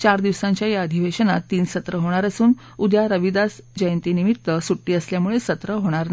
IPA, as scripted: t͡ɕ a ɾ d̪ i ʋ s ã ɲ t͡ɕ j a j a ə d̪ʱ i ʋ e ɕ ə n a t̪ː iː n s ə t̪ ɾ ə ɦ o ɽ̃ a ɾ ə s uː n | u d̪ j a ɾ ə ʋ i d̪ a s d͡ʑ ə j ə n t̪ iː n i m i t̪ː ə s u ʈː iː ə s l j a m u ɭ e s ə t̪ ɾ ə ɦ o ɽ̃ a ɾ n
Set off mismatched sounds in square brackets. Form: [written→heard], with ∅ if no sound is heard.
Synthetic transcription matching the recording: t͡ɕ a ɾ d̪ i ʋ s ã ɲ t͡ɕ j a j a ə d̪ʱ i ʋ e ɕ ə n a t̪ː iː n s ə t̪ ɾ ə ɦ o ɽ̃ a ɾ ə s uː n | u d̪ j a ɾ ə ʋ i d̪ a s d͡ʑ ə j ə n t̪ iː n i m i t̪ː ə s u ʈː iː ə s l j a m u ɭ e s ə t̪ ɾ ə ɦ o ɽ̃ a ɾ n

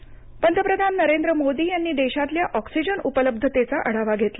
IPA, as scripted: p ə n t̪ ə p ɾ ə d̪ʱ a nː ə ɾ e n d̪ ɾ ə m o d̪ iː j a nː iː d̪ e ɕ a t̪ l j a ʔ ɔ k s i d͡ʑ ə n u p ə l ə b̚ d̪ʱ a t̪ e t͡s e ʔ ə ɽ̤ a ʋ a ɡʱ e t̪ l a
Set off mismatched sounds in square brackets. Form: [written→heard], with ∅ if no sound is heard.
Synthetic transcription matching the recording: p ə n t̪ ə p ɾ ə d̪ʱ a nː ə ɾ e n d̪ ɾ ə m o d̪ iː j a nː iː d̪ e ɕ a t̪ l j a ʔ ɔ k s i d͡ʑ ə n u p ə l ə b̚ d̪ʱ [a→ə] t̪ e t͡s [e→a] ʔ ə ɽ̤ a ʋ a ɡʱ e t̪ l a

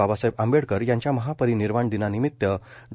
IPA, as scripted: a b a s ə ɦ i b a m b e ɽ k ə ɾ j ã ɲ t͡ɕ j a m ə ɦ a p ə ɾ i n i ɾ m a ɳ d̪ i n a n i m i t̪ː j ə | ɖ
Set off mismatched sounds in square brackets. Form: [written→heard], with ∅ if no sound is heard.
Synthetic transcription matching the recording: a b a s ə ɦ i b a m b e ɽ k ə ɾ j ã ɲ t͡ɕ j a m ə ɦ a p ə ɾ i n i ɾ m a ɳ d̪ i n a n i m i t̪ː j ə | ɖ

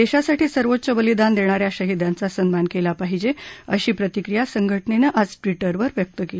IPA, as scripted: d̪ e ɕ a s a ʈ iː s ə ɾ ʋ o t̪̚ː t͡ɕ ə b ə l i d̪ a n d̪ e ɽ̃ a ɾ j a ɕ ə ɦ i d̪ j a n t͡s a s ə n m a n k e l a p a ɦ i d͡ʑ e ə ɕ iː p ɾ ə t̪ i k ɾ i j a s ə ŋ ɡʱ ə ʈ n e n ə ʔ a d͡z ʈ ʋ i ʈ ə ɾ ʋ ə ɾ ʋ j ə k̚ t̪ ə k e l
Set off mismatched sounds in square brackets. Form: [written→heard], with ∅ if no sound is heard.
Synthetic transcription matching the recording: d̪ e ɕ a s a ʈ iː s ə ɾ ʋ o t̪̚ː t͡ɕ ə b ə l i d̪ a n d̪ e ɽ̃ a ɾ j a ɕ ə ɦ i d̪ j a n t͡s a s ə n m a n k e l a p a ɦ i d͡ʑ e ə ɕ iː p ɾ ə t̪ i k ɾ i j a s ə ŋ ɡʱ ə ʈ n e n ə ʔ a d͡z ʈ ʋ i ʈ ə ɾ ʋ ə ɾ ʋ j ə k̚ t̪ ə k e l

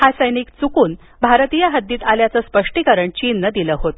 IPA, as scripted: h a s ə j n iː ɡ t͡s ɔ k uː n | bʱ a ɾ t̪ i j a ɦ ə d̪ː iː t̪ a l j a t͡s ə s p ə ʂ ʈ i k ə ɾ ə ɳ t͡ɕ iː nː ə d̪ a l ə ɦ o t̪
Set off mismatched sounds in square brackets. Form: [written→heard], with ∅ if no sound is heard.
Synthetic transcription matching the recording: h a s ə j n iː [ɡ→k] t͡s [ɔ→u] k uː n | bʱ a ɾ t̪ i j a ɦ ə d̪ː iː t̪ a l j a t͡s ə s p ə ʂ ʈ i k ə ɾ ə ɳ t͡ɕ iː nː ə d̪ [a→i] l ə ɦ o t̪

